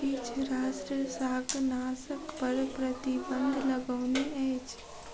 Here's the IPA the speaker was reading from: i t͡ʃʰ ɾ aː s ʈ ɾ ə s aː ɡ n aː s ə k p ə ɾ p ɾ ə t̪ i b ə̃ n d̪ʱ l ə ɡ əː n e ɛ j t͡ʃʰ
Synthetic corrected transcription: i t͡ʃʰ ɾ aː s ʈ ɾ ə s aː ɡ n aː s ə k p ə ɾ p ɾ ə t̪ i b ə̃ n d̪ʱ l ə ɡ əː n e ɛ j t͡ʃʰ